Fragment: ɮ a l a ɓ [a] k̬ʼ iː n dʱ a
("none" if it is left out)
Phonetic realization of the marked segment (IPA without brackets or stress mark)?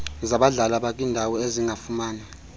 a